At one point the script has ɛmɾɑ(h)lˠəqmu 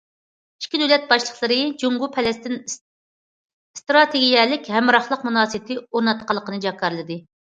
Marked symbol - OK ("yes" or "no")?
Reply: no